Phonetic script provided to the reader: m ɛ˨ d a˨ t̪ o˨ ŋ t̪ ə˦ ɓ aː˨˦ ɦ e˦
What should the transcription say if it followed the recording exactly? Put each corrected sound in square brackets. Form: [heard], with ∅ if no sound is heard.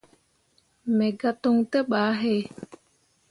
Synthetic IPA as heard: m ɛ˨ [ɡ] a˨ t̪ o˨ ŋ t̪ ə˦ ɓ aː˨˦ ɦ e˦